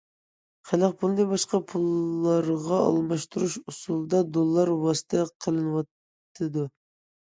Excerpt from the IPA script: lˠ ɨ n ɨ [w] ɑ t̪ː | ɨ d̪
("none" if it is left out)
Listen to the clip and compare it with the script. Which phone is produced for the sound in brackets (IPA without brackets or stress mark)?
w